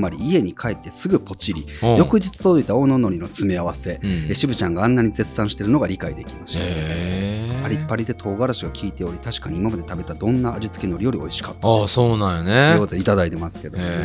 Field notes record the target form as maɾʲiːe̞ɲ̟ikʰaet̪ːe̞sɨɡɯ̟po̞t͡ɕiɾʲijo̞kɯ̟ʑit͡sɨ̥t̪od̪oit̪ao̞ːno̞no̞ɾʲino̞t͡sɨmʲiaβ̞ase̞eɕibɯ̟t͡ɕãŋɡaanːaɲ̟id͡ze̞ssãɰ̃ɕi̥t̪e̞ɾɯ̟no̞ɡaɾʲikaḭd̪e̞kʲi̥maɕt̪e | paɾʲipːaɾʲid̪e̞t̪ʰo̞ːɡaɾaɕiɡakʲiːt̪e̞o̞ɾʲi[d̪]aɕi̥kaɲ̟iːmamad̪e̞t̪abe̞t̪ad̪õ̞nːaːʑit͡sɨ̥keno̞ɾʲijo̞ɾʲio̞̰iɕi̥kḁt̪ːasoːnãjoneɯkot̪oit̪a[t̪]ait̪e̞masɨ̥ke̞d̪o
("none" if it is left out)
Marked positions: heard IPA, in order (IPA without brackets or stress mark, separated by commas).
t̪, d̪